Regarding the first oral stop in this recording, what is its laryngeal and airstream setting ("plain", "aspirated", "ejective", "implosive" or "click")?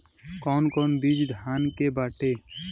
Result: plain